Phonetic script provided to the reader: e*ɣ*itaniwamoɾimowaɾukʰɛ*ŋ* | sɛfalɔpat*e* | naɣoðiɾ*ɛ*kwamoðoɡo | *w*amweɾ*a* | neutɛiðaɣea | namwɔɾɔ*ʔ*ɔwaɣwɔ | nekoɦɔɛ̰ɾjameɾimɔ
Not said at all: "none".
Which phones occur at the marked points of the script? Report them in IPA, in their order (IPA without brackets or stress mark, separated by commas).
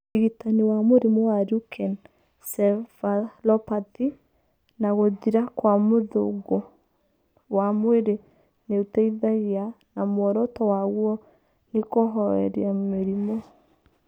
ɣ, n, i, a, w, e, t